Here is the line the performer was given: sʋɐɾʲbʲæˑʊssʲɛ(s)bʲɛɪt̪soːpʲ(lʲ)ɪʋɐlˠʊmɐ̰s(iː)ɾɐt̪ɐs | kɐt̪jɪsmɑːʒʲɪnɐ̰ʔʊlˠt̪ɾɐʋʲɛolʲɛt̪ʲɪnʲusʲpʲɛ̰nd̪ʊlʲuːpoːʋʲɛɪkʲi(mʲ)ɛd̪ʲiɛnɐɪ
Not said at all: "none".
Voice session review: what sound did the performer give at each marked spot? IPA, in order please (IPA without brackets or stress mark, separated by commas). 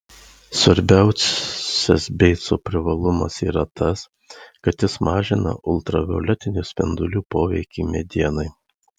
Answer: s, ɾʲ, iː, mʲ